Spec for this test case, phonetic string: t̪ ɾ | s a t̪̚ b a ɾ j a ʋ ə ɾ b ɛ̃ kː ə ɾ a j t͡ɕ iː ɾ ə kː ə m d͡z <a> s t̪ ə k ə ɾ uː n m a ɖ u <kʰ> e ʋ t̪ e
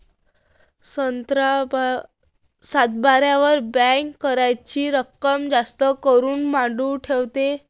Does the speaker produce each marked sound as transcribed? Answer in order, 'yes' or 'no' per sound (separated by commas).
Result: yes, no